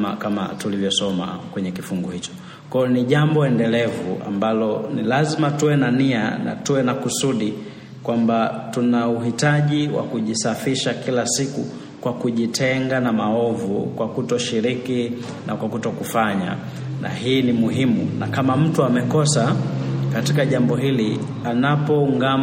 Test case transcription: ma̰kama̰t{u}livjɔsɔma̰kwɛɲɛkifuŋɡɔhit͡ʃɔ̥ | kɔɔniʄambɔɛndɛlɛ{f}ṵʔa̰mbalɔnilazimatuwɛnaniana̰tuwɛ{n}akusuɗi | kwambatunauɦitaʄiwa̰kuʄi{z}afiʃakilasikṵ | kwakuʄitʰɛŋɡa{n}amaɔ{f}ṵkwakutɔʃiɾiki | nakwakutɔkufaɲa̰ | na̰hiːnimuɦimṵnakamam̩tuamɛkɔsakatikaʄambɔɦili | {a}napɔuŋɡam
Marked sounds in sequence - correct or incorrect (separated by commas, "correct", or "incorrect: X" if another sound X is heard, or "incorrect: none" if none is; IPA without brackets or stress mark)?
correct, incorrect: v, correct, incorrect: s, correct, incorrect: v, correct